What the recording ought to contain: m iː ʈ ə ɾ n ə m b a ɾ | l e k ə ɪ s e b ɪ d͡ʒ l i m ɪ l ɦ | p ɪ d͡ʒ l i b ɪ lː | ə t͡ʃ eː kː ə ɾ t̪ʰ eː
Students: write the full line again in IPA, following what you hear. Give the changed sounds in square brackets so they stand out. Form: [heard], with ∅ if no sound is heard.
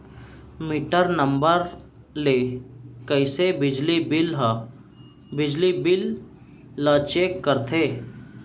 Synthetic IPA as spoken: m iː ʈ ə ɾ n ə m b [ə] ɾ | l e k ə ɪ s e b ɪ d͡ʒ l i [b] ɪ l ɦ | [b] ɪ d͡ʒ l i b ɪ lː | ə t͡ʃ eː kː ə ɾ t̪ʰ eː